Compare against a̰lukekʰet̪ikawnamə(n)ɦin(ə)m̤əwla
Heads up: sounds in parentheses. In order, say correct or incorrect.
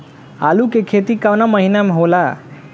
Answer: incorrect: none, incorrect: a

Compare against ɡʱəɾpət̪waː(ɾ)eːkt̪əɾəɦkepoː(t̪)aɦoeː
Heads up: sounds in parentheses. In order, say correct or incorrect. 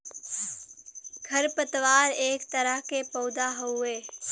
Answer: correct, incorrect: d̪

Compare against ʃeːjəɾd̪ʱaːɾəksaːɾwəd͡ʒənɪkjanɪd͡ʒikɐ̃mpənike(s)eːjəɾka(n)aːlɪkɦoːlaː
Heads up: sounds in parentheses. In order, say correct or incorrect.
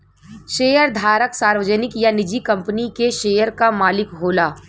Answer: incorrect: ʃ, incorrect: m

